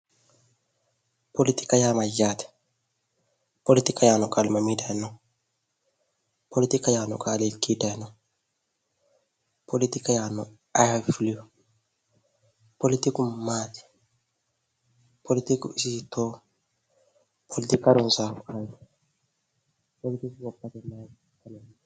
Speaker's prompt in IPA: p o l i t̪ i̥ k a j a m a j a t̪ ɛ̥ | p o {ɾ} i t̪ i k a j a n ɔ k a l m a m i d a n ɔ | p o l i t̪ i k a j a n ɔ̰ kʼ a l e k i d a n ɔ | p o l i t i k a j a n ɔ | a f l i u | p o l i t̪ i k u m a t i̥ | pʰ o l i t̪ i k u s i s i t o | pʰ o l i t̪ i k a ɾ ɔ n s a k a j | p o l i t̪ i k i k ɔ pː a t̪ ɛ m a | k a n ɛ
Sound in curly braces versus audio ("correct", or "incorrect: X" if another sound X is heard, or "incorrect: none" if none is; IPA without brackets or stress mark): incorrect: l